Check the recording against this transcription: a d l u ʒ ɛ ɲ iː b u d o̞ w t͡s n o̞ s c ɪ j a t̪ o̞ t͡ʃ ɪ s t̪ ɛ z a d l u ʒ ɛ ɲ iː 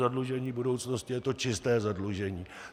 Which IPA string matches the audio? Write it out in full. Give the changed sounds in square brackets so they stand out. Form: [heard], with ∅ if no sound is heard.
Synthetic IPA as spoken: a d l u ʒ ɛ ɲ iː b u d o̞ w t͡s n o̞ s c ɪ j [ɛ] t̪ o̞ t͡ʃ ɪ s t̪ [ɛː] z a d l u ʒ ɛ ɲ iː